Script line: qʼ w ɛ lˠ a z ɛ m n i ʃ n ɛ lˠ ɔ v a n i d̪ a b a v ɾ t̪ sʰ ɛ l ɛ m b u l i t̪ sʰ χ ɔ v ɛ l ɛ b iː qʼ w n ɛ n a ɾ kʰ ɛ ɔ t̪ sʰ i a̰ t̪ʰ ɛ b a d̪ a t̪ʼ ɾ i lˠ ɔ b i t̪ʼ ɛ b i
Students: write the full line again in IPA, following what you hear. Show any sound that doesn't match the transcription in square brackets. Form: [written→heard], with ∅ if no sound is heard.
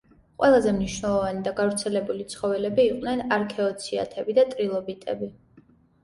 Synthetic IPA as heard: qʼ w ɛ lˠ a z ɛ m n i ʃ n ɛ lˠ ɔ v a n i d̪ a [b→ɡ] a v ɾ t̪ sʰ ɛ l ɛ [m→∅] b u l i t̪ sʰ χ ɔ v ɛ l ɛ b iː qʼ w n ɛ n a ɾ kʰ ɛ ɔ t̪ sʰ i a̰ t̪ʰ ɛ b [a→i] d̪ a t̪ʼ ɾ i lˠ ɔ b i t̪ʼ ɛ b i